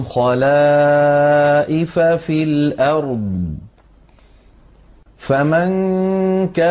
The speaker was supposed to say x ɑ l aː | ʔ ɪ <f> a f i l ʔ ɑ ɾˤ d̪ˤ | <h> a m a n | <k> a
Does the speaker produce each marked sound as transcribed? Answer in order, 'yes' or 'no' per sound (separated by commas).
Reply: yes, no, yes